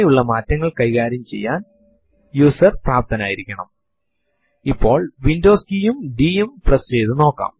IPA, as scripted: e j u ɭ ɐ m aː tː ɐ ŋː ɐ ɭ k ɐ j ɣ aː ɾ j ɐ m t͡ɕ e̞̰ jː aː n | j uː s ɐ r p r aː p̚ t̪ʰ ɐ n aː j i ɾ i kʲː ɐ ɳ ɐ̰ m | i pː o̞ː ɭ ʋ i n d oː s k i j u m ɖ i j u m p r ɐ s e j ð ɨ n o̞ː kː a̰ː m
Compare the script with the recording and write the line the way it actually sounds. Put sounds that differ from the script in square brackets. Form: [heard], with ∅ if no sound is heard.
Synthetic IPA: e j u [ɭː] ɐ m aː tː ɐ ŋː ɐ ɭ k ɐ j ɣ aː ɾ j ɐ m t͡ɕ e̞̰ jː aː n | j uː s ɐ r p r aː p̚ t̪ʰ ɐ n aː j i ɾ i kʲː ɐ ɳ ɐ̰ m | i pː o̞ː ɭ ʋ i n d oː s k i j u m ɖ i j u m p r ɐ s e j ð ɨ n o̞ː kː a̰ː m